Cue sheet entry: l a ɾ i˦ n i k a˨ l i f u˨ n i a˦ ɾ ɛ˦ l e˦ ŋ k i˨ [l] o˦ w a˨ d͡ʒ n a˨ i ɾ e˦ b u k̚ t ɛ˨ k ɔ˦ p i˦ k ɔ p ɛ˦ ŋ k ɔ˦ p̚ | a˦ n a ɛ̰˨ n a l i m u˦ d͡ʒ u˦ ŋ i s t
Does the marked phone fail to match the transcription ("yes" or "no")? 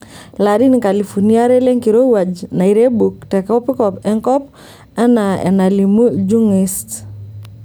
yes